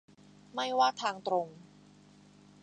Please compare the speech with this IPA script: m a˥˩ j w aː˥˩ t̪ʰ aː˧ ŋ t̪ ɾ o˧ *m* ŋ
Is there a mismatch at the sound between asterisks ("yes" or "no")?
yes